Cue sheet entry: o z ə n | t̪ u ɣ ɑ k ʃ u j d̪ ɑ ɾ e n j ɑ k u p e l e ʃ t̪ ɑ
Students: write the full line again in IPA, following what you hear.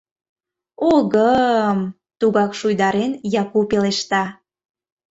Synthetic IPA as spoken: o ɣ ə m | t̪ u ɣ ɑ k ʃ u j d̪ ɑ ɾ e n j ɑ k u p e l e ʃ t̪ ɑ